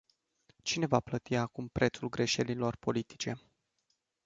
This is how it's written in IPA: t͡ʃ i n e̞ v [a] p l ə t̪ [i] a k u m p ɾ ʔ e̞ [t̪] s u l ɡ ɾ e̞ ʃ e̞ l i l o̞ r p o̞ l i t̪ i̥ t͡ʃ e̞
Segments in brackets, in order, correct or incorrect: correct, correct, correct

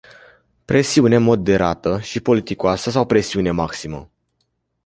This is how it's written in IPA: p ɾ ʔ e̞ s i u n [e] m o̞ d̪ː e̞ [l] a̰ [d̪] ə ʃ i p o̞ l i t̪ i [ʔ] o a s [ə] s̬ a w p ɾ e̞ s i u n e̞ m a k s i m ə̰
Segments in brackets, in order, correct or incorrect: correct, incorrect, incorrect, incorrect, correct

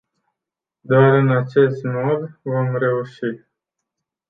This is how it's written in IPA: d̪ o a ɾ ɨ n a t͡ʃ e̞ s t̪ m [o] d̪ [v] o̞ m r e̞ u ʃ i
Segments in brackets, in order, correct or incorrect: correct, correct

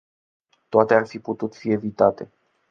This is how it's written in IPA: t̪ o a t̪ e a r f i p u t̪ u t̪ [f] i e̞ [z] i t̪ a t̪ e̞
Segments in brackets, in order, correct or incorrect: correct, incorrect

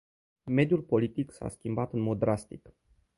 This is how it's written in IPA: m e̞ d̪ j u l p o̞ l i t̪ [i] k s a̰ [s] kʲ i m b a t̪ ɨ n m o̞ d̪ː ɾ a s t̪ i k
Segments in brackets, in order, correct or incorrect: correct, correct

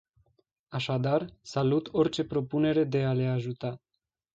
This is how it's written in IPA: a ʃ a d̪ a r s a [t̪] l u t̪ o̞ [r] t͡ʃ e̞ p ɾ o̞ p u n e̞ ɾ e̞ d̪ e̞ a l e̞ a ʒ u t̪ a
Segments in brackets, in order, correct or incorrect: incorrect, correct

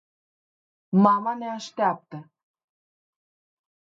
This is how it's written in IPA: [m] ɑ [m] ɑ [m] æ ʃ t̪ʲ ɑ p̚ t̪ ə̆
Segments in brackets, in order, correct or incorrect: correct, correct, incorrect

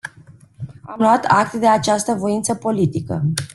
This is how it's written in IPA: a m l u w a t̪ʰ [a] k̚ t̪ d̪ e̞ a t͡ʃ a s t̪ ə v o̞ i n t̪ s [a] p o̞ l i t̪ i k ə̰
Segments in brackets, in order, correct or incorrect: correct, incorrect

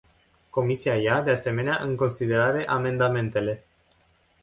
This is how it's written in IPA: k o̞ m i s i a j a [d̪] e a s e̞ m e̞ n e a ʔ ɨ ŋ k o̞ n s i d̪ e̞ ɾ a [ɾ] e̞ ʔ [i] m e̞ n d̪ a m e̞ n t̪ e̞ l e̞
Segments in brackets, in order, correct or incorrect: correct, correct, incorrect

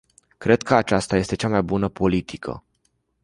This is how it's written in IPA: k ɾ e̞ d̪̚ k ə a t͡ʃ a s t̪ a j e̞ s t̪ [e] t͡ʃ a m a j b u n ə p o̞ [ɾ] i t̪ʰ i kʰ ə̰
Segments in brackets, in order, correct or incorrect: correct, incorrect

